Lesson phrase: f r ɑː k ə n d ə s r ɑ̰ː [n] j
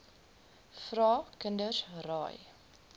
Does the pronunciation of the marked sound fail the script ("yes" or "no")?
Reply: yes